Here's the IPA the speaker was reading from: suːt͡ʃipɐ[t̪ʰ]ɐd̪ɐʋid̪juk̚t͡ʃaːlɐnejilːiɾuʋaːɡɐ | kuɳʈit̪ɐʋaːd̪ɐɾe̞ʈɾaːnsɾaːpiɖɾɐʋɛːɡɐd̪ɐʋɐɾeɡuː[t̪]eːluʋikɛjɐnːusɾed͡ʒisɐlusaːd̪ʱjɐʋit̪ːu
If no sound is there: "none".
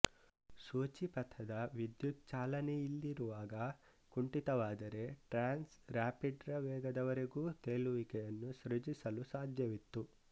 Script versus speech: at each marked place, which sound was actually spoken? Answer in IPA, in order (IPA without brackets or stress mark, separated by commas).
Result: t̪ʰ, t̪